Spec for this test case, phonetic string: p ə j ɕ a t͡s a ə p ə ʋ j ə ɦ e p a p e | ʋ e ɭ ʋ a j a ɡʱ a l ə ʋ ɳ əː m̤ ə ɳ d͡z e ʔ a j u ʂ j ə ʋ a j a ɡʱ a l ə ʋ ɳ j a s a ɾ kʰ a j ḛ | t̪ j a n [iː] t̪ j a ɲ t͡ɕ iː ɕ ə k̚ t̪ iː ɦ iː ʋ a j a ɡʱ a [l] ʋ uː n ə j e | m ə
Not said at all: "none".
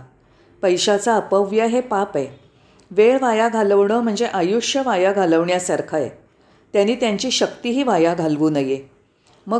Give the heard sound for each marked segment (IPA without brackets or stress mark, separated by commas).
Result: iː, l